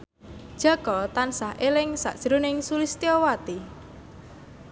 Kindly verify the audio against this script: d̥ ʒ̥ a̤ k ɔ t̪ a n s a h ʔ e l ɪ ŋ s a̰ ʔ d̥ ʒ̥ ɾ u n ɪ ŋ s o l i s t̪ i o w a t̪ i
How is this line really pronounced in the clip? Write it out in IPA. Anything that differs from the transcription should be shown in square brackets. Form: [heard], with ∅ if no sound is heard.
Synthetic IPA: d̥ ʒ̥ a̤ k ɔ t̪ a n s a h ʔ e l ɪ ŋ s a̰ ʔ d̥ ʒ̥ ɾ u n ɪ ŋ s [u] l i s t̪ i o w a t̪ i